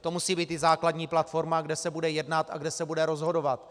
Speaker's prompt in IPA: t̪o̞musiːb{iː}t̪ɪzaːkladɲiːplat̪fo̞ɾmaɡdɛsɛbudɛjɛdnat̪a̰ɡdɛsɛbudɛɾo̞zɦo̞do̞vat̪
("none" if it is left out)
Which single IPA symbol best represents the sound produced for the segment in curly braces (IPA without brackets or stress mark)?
iː